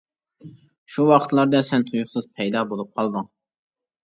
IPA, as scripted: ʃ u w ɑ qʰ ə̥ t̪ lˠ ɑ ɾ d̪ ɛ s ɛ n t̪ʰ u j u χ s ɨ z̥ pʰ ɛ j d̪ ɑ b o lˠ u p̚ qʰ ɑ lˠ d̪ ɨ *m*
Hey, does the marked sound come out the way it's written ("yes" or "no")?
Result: no